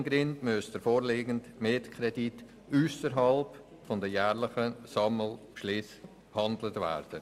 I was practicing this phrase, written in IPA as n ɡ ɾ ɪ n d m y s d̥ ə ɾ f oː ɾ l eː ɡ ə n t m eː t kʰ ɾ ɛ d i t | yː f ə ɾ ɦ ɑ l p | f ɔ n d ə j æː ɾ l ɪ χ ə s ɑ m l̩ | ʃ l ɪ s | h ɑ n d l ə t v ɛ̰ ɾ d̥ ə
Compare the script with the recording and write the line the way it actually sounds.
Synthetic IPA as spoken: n ɡ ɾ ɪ n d m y s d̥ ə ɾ f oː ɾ l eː ɡ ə n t m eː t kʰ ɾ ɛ d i t | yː s ə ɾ ɦ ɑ l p | f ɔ n d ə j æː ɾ l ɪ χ ə s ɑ m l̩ | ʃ l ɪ s | h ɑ n d l ə t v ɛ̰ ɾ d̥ ə